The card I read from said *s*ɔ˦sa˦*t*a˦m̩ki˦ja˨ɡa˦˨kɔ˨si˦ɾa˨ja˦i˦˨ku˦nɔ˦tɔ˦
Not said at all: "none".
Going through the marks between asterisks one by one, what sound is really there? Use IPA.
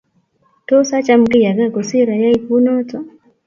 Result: t, t͡ʃ

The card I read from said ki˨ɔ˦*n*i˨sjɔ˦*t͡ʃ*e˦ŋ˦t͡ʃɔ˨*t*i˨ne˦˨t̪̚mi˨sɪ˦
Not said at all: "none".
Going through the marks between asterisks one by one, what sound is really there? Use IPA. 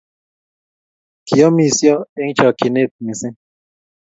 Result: m, none, k

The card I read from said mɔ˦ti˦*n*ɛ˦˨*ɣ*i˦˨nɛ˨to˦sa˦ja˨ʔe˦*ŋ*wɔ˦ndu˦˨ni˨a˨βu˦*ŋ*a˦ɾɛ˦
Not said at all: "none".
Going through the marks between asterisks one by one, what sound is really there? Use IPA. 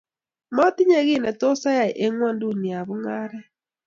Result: ɲ, ɣ, ŋ, ŋ

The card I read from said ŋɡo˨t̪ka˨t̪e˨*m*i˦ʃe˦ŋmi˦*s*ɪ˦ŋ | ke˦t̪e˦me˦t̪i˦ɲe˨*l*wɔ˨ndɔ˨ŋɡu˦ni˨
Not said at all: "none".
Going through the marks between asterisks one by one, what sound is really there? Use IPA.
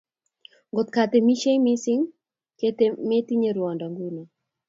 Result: m, s, ɾ

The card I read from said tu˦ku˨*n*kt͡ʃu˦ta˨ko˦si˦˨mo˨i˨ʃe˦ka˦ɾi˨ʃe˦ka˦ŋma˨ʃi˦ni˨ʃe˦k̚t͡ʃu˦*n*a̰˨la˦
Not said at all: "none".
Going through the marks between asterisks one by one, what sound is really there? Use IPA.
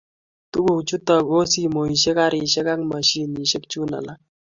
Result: none, n

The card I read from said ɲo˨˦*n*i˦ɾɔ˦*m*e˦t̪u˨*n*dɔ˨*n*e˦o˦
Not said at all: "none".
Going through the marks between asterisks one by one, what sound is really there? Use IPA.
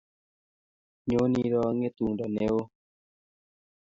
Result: n, ŋ, ŋ, n

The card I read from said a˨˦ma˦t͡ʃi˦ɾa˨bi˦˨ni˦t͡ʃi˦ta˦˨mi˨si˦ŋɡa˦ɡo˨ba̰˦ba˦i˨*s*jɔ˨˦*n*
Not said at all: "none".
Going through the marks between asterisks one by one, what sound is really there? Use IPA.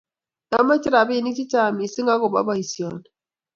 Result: s, n

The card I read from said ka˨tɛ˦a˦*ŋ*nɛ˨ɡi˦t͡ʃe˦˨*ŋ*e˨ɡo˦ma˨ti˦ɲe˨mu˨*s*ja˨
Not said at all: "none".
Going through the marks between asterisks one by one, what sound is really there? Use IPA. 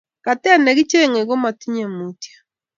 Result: none, ŋ, t

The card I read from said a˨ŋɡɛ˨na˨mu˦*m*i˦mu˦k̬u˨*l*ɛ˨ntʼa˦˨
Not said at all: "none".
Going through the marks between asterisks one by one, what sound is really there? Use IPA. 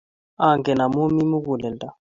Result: m, l

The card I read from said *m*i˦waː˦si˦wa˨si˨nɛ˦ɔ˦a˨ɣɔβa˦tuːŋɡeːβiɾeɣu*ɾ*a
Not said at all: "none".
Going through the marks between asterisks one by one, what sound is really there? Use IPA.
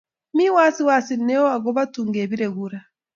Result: m, ɾ

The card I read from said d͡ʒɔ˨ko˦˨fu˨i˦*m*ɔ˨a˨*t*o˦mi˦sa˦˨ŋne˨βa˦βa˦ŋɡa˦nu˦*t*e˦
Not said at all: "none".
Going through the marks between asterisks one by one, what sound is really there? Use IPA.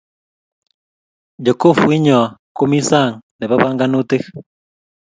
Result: ɲ, k, t

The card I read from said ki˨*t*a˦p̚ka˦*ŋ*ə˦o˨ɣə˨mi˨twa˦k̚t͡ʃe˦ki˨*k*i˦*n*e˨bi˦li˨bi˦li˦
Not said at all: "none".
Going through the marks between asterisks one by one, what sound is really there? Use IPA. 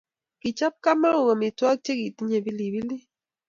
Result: t͡ʃ, m, t, ɲ

